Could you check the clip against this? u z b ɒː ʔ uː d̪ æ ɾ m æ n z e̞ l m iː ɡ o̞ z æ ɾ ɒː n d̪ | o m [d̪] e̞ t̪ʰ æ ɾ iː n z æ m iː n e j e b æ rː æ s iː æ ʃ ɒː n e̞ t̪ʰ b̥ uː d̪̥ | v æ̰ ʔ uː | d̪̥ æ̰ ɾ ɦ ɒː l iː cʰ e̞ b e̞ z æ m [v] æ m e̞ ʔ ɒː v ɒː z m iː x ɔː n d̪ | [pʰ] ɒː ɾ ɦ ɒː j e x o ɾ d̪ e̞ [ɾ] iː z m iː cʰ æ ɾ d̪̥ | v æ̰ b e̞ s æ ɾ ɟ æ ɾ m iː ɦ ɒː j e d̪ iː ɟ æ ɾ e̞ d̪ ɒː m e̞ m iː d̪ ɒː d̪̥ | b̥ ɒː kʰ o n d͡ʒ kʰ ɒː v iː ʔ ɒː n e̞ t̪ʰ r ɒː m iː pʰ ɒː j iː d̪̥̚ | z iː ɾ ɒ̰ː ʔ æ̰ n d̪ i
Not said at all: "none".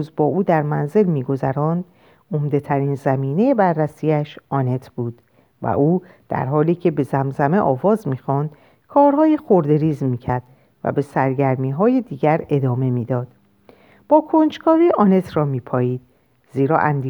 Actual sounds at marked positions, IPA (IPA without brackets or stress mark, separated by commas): d̪, z, kʰ, ɾ